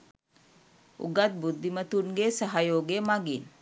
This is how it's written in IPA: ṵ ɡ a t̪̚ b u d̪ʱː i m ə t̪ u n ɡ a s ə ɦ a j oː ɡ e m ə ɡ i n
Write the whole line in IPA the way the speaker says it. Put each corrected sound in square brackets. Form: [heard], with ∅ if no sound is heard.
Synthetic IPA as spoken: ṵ ɡ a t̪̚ b u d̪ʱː i m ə t̪ u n ɡ [e] s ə ɦ a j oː ɡ e m [a] ɡ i n